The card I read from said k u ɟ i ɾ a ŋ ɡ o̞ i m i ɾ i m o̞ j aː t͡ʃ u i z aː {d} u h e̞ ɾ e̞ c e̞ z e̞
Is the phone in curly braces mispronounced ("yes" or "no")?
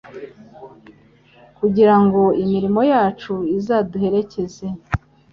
no